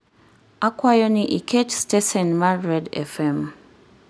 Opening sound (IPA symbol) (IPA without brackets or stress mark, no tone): a